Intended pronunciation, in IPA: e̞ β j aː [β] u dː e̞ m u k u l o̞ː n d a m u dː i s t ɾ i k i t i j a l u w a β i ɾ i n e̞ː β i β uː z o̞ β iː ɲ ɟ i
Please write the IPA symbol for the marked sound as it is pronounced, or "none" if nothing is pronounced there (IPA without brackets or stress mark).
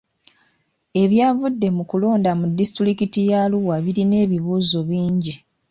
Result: v